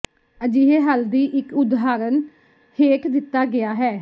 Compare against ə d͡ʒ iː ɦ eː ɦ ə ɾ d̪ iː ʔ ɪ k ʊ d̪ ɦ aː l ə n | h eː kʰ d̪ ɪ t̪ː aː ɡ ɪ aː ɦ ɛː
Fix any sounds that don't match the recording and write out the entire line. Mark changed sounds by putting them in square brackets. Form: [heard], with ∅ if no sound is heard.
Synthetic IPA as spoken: ə d͡ʒ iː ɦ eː ɦ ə [l] d̪ iː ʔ ɪ k ʊ d̪ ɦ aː [ɾ] ə n | h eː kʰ d̪ ɪ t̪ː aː ɡ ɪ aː ɦ ɛː